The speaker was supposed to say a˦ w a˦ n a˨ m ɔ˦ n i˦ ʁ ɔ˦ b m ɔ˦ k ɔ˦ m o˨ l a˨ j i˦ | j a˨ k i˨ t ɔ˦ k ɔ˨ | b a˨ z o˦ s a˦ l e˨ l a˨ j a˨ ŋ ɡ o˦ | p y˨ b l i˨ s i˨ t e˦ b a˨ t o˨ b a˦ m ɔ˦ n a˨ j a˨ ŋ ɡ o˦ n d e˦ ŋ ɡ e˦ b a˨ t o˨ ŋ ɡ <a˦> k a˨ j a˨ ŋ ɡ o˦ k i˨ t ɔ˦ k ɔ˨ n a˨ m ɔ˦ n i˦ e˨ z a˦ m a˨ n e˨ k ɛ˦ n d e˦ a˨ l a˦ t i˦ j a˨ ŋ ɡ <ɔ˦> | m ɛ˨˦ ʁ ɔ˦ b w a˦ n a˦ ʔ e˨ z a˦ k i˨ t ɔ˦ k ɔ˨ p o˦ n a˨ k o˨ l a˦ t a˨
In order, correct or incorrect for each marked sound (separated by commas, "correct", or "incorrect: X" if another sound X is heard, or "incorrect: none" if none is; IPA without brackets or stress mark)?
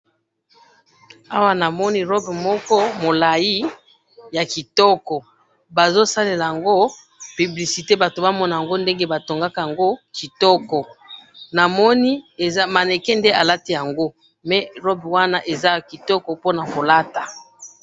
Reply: correct, incorrect: o˦